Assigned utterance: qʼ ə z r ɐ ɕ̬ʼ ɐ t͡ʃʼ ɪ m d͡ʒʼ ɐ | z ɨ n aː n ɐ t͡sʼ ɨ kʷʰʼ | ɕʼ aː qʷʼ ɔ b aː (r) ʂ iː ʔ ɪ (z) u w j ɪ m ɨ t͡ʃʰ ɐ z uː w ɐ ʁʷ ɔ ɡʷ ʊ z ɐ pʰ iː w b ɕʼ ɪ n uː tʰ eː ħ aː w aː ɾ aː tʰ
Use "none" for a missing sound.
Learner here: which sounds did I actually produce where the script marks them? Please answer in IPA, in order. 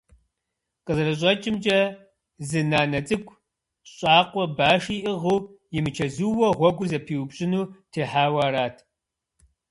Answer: none, ʁ

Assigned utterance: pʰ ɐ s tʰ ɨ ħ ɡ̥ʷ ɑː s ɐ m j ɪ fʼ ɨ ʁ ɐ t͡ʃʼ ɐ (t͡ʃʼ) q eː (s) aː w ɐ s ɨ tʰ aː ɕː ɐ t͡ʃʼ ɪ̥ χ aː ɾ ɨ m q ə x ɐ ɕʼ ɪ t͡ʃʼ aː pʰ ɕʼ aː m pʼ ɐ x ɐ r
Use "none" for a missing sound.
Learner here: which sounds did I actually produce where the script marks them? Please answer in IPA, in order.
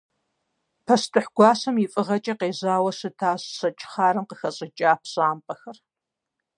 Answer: none, z

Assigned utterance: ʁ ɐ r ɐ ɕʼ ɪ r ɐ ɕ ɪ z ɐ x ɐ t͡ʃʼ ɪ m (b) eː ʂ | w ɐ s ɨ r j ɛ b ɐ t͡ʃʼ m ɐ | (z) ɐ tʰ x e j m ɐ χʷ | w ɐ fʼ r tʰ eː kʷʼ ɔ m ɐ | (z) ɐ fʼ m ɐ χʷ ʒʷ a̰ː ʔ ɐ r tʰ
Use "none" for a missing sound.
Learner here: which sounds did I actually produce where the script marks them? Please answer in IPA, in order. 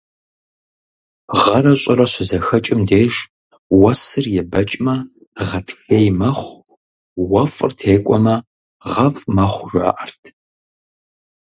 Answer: d, ʁ, ʁ

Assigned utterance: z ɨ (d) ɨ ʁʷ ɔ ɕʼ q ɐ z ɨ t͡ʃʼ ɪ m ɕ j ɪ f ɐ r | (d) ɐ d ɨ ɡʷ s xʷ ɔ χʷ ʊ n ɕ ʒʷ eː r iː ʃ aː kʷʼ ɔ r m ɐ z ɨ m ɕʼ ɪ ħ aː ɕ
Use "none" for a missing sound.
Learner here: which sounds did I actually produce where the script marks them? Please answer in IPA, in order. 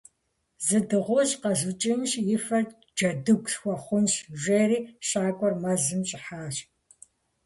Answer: d, d͡ʒ

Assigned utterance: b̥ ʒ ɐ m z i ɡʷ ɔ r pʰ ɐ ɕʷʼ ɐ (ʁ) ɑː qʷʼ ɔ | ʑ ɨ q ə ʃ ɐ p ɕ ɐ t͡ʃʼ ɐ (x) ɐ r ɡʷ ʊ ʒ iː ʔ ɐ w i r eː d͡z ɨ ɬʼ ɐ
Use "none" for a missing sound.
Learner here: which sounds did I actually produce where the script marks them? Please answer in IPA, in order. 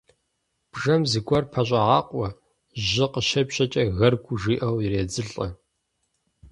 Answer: ʁ, ɣ

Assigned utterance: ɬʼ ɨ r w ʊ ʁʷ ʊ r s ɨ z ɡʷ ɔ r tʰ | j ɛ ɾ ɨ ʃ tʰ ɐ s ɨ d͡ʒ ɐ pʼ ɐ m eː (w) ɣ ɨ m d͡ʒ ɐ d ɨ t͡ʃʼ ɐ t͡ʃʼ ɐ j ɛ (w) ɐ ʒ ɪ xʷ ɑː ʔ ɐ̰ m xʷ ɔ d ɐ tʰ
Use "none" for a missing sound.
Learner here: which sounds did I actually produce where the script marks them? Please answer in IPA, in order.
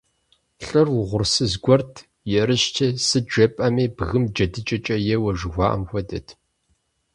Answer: b, w

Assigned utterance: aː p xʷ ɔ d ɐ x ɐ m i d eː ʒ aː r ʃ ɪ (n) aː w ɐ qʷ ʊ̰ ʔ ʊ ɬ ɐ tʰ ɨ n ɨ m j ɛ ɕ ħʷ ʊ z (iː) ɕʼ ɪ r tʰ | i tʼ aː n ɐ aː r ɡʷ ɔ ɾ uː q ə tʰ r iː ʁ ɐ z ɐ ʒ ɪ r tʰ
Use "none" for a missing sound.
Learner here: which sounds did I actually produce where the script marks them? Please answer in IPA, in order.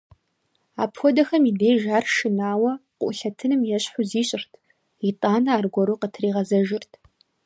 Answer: n, iː

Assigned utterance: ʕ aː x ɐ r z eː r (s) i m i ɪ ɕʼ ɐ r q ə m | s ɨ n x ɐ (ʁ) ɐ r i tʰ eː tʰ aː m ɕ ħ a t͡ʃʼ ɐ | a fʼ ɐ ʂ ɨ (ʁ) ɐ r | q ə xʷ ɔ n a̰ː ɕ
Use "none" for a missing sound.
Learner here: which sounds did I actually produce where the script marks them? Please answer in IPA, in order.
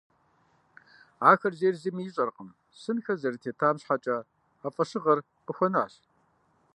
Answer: z, z, ʁ

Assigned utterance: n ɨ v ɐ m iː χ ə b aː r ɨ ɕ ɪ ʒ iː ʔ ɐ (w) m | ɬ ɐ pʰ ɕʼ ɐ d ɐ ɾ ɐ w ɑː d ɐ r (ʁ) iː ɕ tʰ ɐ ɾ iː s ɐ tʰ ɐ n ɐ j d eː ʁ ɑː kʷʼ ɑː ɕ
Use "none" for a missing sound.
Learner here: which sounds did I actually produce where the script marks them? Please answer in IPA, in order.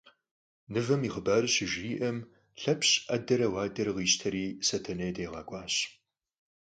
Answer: none, ʁ

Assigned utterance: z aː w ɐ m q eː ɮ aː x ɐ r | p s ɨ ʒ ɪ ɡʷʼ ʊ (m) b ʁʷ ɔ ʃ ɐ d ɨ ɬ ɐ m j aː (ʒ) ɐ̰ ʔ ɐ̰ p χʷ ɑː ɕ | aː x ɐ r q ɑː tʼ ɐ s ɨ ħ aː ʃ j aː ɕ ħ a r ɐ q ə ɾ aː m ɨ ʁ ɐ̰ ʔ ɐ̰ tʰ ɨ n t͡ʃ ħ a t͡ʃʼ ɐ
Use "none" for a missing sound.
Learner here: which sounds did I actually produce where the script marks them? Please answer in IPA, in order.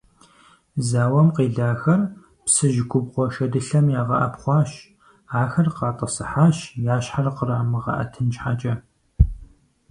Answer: none, ʁ

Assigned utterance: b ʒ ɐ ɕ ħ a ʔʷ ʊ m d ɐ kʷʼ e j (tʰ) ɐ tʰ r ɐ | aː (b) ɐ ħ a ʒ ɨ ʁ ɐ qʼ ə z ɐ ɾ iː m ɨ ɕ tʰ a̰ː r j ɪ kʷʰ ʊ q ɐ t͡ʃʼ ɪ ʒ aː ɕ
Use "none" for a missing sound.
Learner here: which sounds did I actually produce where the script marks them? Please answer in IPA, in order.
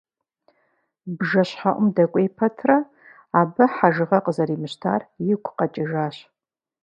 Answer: pʰ, b

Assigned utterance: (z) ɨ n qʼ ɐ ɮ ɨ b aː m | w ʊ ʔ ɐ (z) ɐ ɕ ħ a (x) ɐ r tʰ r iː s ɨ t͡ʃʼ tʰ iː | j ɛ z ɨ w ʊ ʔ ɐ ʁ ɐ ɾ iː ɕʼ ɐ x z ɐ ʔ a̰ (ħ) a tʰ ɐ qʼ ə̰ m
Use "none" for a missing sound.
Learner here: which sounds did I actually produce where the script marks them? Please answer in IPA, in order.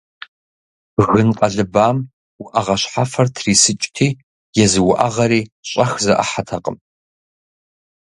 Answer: ɣ, ʁ, f, ħ

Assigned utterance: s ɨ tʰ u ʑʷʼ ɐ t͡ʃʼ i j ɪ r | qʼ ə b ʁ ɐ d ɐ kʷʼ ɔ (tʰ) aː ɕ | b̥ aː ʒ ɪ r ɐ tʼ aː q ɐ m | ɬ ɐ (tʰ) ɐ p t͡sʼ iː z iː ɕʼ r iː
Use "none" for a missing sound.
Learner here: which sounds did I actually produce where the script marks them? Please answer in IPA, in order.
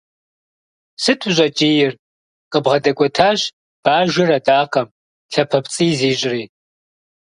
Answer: tʰ, pʰ

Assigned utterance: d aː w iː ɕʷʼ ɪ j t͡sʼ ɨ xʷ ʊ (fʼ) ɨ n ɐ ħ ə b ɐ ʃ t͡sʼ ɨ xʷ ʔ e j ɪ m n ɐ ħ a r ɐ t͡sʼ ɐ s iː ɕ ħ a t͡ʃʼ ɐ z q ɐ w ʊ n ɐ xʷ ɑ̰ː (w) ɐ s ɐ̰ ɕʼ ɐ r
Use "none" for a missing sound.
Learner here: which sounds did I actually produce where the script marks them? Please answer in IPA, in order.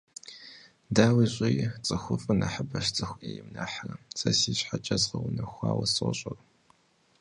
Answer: fʼ, w

